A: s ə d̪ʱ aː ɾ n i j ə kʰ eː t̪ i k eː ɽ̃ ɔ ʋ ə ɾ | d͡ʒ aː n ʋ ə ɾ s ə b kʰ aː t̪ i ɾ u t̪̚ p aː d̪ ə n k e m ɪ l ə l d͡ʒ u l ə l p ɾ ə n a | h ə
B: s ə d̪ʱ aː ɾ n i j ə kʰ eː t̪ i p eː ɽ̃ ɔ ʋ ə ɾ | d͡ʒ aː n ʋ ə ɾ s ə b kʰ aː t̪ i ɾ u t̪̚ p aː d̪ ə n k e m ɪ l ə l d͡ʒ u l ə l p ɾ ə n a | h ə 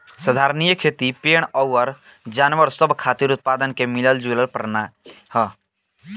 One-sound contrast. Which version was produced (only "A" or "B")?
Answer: B